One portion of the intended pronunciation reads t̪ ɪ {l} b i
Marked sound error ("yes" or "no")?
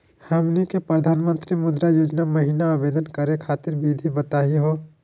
yes